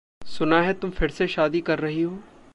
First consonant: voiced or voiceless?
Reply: voiceless